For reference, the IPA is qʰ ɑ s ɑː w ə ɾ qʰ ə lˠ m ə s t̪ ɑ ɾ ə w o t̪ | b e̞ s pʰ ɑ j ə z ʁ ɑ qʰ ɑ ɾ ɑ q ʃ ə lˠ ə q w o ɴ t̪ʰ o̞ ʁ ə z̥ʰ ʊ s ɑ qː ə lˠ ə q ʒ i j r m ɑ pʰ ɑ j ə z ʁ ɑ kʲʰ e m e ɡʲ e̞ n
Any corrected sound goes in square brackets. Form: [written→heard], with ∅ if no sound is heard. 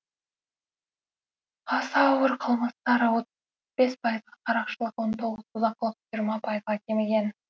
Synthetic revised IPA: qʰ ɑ s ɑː w ə ɾ qʰ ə lˠ m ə s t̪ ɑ ɾ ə w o t̪ | b e̞ s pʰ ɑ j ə z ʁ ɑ qʰ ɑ ɾ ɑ q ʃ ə lˠ ə q w o [ɴ→n] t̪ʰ o̞ ʁ ə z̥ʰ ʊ [s→z] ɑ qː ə lˠ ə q ʒ i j [r→ɾ] m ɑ pʰ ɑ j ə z ʁ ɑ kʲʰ e m e ɡʲ e̞ n